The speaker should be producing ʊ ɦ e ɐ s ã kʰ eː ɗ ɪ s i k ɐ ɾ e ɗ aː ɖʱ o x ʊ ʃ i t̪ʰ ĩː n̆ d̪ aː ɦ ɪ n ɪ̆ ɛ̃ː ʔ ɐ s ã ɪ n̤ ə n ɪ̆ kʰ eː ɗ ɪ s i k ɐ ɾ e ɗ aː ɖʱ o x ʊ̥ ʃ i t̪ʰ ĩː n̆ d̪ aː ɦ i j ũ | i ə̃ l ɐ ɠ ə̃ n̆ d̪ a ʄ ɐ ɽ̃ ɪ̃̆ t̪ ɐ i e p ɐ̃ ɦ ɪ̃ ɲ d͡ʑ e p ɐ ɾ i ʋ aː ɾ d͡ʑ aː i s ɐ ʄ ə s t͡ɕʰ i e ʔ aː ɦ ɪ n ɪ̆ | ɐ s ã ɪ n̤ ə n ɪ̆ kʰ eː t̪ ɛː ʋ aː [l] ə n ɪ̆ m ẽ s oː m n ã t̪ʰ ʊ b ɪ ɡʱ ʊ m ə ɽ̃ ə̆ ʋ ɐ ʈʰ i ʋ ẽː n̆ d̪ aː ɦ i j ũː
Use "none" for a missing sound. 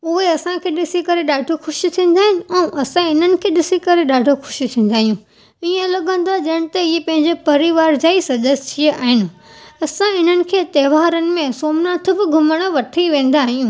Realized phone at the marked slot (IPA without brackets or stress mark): ɾ